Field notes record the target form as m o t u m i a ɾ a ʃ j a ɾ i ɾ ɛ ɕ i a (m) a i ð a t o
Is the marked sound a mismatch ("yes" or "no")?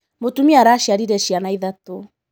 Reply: yes